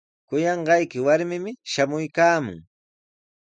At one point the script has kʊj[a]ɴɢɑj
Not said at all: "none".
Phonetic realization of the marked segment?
ɑ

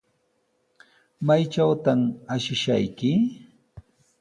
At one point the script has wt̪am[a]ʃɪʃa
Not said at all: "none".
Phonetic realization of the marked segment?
a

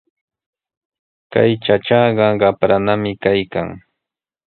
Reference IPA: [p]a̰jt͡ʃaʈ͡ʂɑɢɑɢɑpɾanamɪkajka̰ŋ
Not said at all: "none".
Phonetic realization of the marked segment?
k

